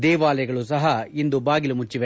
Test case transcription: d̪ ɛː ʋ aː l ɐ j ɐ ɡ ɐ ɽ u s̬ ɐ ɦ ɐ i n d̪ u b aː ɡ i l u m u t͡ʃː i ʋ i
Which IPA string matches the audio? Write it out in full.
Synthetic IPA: d̪ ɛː ʋ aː l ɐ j ɐ ɡ ɐ ɭ u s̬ ɐ ɦ ɐ i n d̪ u b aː ɡ i l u m u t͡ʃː i ʋ e